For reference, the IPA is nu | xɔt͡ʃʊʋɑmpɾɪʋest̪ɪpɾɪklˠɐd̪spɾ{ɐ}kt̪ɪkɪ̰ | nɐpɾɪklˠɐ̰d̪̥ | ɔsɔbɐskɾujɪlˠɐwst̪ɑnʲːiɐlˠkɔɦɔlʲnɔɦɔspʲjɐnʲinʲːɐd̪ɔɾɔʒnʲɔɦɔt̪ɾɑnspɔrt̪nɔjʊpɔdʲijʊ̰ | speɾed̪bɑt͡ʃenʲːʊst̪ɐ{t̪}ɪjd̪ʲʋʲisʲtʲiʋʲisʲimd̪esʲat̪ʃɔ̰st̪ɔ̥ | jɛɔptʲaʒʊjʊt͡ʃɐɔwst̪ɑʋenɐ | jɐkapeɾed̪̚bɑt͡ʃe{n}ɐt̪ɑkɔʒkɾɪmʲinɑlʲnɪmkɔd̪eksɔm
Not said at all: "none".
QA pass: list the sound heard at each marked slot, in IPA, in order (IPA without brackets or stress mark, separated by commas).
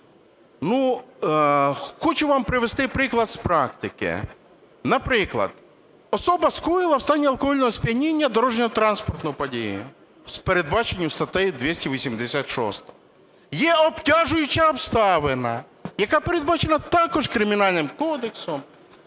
ɑ, t̪, n